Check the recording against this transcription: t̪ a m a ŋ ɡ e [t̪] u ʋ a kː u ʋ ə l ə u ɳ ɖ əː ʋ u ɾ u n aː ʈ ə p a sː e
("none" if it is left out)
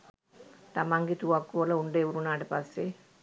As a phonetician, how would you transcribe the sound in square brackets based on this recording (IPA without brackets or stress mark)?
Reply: t̪